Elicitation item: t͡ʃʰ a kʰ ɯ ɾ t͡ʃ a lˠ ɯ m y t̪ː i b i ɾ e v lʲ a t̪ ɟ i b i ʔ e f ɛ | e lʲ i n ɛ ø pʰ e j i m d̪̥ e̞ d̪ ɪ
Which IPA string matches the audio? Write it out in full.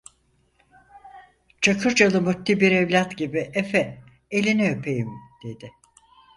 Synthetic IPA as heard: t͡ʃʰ a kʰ ɯ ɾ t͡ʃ a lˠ ɯ m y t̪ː i b i ɾ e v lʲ a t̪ ɟ i b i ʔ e f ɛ | e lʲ i n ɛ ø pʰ e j i m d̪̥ e̞ d̪ ɪ